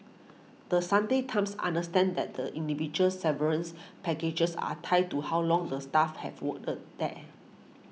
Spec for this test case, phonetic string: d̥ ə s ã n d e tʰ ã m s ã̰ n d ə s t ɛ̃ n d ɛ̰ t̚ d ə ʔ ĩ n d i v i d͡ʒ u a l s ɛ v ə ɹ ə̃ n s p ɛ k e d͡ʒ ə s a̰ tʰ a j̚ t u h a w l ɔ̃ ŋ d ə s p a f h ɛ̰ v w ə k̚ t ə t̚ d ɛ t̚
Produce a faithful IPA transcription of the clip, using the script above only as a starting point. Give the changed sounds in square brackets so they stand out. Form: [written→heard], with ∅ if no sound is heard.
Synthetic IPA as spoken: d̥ ə s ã n d e tʰ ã m s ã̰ n d ə s t ɛ̃ n d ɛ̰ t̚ d ə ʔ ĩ n d i v i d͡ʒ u [a→ə] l s ɛ v ə ɹ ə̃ n s p ɛ k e d͡ʒ ə s a̰ tʰ a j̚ t u h a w l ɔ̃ ŋ d ə s [p→t] a f h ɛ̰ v w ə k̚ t ə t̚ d ɛ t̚

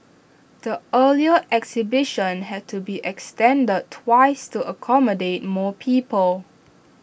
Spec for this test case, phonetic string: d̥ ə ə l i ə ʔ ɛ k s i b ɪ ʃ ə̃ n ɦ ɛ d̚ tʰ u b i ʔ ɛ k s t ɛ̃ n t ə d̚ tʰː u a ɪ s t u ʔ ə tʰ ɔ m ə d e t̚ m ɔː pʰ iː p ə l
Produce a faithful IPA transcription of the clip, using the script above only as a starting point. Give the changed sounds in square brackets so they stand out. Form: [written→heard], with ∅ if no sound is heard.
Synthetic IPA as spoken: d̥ ə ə l i ə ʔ ɛ k s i b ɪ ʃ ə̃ n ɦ ɛ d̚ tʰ u b i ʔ ɛ k s t ɛ̃ n [t→d] ə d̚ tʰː [u→w] a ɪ s t u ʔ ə [tʰ→kʰ] ɔ m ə d e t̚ m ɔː pʰ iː p ə l

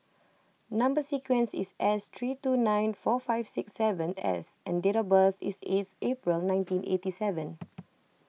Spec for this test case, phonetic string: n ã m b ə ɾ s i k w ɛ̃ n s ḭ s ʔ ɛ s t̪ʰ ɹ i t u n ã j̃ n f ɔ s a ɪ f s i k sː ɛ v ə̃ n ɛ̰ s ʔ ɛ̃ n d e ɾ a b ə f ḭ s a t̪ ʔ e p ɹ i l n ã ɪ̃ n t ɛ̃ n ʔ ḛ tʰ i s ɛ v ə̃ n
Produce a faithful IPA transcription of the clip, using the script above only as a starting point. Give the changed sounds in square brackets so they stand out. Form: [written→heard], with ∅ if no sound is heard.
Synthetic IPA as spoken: n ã m b ə [ɾ→∅] s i k w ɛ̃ n s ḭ s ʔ ɛ s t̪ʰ ɹ i t u n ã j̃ n f ɔ [s→f] a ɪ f s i k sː ɛ v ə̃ n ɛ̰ s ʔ ɛ̃ n d e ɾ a b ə [f→θ] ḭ s [a→e] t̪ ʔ e p ɹ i l n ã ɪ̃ n t [ɛ̃→ĩ] n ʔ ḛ [tʰ→t] i s ɛ v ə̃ n

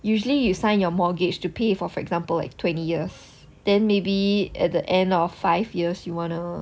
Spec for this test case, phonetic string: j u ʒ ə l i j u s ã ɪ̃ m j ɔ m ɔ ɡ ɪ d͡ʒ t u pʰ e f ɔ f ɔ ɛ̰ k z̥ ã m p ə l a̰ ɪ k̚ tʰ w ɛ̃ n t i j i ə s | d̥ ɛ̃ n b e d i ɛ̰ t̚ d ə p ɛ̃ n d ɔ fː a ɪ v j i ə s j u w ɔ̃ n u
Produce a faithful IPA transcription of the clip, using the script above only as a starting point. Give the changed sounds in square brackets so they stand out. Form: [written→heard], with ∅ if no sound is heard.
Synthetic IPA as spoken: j u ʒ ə l i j u s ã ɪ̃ [m→n] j ɔ m ɔ ɡ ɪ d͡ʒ t u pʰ e f ɔ f ɔ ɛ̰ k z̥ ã m p ə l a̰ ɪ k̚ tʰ w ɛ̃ n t i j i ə s | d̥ ɛ̃ n [b→m] e [d→b] i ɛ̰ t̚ d ə [p→ʔ] ɛ̃ n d ɔ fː a ɪ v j i ə s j u w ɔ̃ n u

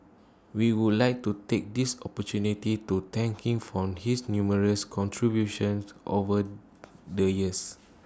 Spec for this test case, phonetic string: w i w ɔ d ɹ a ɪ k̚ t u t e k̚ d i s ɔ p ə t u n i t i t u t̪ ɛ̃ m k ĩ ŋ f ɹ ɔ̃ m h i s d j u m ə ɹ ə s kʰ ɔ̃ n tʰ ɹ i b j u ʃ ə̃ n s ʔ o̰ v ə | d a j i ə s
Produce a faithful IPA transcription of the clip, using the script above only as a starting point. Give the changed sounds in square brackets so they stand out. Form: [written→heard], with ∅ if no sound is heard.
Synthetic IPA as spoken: w i w [ɔ→u] d [ɹ→l] a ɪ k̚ t u t e k̚ d i s ɔ p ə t u n i t i t u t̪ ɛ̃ [m→ŋ] k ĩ ŋ f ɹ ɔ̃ m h i s [d→n] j u m ə ɹ ə s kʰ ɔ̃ n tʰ ɹ i b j u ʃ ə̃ n s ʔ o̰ v ə | d [a→ə] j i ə s

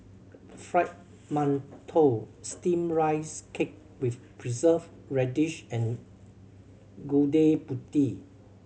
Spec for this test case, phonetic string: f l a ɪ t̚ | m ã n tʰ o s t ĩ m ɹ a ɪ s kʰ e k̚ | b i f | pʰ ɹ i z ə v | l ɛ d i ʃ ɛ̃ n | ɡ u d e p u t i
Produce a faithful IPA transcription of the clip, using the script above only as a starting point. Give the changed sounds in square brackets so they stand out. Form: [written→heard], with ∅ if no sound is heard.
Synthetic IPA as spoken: f [l→ɹ] a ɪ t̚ | m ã n tʰ o s t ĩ m ɹ a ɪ s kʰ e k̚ | [b→w] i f | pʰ ɹ i z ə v | [l→ɹ] ɛ d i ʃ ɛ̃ n | ɡ u d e p u t i

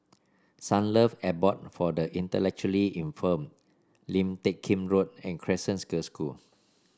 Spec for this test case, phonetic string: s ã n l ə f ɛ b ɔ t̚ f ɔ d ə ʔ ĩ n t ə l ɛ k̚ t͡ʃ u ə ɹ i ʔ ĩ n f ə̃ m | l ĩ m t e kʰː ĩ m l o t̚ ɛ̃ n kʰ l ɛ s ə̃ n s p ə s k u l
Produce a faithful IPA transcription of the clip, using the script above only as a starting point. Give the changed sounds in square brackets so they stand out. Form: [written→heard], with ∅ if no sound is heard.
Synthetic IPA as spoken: s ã n l ə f ɛ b ɔ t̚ f ɔ d ə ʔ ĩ n t ə l ɛ k̚ t͡ʃ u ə [ɹ→l] i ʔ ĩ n f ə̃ m | l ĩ m t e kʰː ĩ m [l→ɹ] o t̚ ɛ̃ n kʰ [l→ɹ] ɛ s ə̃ n s [p→k] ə s k u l

